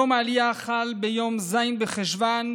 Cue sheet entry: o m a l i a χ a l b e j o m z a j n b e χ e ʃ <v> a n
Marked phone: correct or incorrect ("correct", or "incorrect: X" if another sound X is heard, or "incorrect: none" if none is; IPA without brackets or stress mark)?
correct